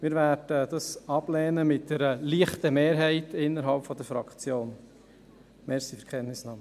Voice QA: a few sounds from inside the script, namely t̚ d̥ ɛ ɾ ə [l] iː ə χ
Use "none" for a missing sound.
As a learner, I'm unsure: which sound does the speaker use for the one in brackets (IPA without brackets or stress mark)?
l